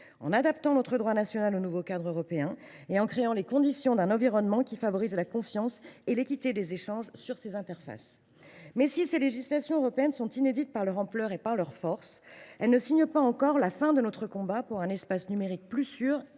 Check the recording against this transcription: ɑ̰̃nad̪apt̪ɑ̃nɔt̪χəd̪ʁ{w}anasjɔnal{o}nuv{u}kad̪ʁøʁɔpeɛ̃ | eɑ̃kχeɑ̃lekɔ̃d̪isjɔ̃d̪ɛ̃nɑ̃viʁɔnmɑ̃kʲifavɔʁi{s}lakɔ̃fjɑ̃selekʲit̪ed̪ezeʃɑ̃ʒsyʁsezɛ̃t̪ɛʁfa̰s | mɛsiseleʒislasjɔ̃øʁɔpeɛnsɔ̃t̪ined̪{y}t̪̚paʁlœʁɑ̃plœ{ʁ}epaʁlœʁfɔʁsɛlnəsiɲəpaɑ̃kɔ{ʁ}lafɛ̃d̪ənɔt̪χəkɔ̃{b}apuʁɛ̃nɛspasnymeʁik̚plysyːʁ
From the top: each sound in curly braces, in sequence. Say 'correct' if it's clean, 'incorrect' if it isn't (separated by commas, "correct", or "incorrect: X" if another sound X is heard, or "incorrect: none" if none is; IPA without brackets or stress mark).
correct, correct, incorrect: o, incorrect: z, incorrect: i, correct, correct, correct